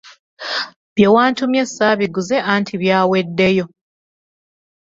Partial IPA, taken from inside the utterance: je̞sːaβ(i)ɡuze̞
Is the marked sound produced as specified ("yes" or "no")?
yes